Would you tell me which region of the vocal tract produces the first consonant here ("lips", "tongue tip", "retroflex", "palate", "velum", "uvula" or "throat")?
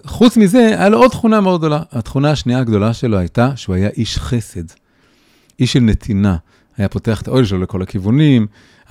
uvula